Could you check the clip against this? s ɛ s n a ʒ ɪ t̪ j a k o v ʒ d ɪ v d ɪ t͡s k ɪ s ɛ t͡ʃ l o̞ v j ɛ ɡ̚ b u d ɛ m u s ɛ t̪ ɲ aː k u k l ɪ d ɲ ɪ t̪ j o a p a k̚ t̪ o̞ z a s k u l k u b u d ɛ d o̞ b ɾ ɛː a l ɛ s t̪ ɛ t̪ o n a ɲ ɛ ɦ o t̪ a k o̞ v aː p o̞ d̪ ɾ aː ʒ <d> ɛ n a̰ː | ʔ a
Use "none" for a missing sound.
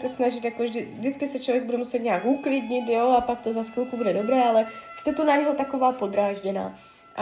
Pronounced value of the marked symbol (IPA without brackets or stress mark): ɟ